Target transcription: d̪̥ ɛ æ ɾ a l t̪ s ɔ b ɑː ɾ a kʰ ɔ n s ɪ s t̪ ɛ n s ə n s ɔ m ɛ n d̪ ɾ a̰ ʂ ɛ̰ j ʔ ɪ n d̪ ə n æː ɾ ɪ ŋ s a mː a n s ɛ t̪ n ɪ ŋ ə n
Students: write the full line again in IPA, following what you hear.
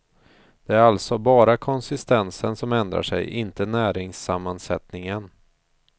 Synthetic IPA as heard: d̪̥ ɛ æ ɾ a l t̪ s ɔ b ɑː ɾ a kʰ ɔ n s ɪ s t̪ ɛ n s ə n s ɔ m ɛ n d̪ ɾ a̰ ʂ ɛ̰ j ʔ ɪ n t̪ ə n æː ɾ ɪ ŋ s a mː a n s ɛ t̪ n ɪ ŋ ə n